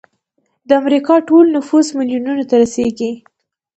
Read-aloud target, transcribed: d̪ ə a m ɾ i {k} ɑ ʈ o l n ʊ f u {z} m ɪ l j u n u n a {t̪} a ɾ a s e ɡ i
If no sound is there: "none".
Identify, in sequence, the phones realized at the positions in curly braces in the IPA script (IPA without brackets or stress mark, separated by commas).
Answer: k, z, t̪